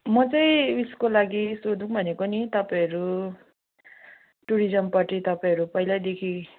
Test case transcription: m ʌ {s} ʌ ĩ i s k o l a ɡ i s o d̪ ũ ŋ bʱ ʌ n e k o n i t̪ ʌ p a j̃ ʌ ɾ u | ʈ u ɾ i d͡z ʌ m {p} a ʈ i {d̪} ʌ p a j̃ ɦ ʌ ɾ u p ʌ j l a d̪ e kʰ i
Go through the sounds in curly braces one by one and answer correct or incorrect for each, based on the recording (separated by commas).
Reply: incorrect, correct, incorrect